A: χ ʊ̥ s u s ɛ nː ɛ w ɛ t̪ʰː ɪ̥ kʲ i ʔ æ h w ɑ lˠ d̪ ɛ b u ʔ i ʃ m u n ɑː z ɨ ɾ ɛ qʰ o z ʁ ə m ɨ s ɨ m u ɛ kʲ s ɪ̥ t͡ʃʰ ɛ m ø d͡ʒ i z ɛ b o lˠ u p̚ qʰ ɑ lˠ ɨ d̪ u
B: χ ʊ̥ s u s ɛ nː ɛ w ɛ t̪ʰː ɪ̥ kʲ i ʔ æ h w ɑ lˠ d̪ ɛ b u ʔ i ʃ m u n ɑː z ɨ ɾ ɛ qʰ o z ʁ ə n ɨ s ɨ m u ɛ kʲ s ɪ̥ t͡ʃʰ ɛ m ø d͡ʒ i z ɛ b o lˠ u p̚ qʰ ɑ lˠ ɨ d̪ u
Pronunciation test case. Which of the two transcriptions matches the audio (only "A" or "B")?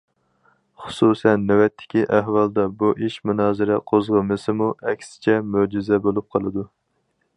A